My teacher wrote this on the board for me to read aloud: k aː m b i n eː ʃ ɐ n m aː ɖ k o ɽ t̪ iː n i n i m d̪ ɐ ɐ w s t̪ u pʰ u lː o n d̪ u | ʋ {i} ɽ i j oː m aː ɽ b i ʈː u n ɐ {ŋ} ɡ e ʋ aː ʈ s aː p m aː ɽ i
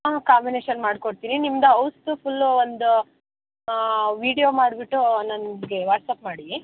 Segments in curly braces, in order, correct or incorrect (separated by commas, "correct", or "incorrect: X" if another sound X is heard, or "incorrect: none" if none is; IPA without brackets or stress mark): incorrect: iː, incorrect: n